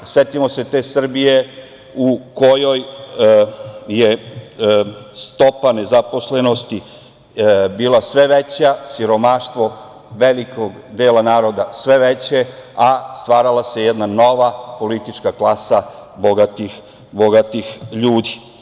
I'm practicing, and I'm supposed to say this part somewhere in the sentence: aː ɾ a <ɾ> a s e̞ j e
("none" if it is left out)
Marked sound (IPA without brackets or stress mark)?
l